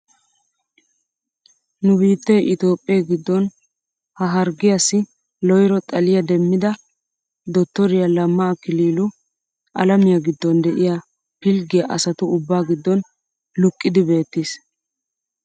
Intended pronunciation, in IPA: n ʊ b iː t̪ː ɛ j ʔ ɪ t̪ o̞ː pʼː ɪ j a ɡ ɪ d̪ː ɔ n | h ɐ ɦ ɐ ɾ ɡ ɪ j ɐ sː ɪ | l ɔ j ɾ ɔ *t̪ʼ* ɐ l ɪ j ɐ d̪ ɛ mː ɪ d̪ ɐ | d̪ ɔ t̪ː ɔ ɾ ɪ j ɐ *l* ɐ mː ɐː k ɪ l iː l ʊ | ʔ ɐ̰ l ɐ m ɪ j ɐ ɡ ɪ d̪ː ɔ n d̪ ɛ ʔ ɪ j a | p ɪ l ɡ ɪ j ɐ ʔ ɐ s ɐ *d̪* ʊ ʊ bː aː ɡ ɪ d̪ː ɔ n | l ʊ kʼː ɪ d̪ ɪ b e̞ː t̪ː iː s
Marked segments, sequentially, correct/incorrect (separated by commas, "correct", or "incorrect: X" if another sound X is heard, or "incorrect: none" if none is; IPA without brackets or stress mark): correct, correct, incorrect: t̪